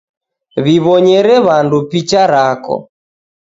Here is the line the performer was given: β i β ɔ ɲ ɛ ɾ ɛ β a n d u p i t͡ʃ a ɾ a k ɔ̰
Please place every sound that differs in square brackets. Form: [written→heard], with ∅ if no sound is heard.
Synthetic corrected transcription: β i β ɔ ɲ ɛ ɾ ɛ β a n d u p i t͡ʃ a ɾ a k ɔ̰